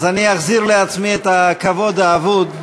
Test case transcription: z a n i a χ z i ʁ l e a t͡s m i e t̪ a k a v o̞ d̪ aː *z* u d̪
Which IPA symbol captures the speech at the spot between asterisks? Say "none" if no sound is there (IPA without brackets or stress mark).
v